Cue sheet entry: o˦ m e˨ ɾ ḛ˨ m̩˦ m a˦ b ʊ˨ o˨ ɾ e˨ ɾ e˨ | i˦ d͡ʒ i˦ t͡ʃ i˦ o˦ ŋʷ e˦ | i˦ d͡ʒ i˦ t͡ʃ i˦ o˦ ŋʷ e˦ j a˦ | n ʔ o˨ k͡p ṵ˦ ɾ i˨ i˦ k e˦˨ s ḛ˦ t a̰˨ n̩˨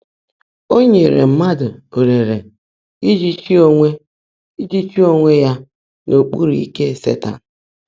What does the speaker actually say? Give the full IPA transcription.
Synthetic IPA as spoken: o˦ ɲ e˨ ɾ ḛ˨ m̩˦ m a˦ d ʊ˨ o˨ ɾ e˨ ɾ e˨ | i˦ d͡ʒ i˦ t͡ʃ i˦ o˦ ŋʷ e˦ | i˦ d͡ʒ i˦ t͡ʃ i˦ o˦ ŋʷ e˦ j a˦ | n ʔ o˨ k͡p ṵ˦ ɾ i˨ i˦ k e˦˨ s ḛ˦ t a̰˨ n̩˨